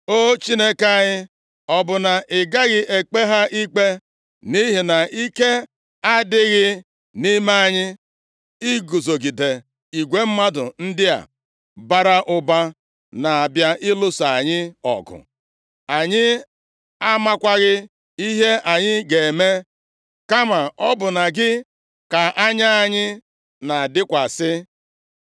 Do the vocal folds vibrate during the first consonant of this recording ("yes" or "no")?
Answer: no